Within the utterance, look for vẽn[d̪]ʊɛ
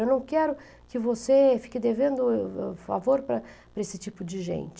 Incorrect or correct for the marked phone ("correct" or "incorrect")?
correct